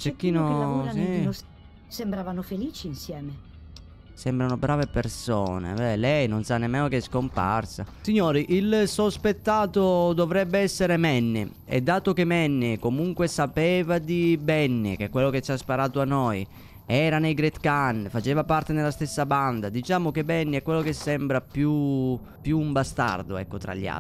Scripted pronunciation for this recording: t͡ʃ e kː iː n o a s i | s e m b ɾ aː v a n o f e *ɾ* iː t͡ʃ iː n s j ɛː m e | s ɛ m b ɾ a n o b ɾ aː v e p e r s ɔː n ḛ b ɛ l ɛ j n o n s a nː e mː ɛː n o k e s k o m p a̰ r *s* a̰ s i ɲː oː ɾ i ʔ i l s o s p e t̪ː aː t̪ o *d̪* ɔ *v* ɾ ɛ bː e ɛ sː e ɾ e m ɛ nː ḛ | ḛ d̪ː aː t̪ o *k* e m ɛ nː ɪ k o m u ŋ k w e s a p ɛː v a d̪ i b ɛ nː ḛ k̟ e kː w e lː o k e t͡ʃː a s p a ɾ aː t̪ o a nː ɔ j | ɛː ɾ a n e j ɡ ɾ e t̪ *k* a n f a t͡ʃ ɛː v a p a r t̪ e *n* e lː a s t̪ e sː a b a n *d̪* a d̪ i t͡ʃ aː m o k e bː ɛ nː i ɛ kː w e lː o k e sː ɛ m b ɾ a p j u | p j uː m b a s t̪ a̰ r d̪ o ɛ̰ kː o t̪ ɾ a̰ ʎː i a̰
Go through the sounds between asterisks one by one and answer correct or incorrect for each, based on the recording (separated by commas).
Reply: incorrect, correct, correct, correct, correct, correct, correct, correct